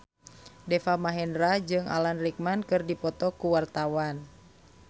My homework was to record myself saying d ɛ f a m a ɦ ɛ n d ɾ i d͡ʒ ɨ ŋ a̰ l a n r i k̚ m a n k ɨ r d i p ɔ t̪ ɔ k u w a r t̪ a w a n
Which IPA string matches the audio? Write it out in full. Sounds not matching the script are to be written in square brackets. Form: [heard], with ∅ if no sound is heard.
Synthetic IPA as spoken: d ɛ f a m a ɦ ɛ n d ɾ [a] d͡ʒ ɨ ŋ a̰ l a n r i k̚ m a n k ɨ r d i p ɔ t̪ ɔ k u w a r t̪ a w a n